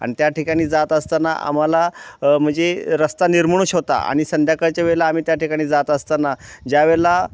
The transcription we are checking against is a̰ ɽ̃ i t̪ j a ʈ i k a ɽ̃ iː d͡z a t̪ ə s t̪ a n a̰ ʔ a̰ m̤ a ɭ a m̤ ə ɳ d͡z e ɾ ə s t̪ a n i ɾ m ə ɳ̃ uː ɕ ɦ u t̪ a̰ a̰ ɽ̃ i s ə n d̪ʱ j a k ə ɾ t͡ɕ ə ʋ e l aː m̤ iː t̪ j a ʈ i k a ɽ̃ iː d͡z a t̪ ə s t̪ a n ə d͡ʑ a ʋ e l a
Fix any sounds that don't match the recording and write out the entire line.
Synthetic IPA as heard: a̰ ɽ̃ i t̪ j a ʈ i k a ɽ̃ iː d͡z a t̪ ə s t̪ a n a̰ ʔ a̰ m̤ a l a m̤ ə ɳ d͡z e ɾ ə s t̪ a n i ɾ m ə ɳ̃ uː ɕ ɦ o t̪ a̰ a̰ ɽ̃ i s ə n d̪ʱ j a k ə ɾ t͡ɕ a ʋ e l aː m̤ iː t̪ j a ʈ i k a ɽ̃ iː d͡z a t̪ ə s t̪ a n a d͡ʑ a ʋ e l a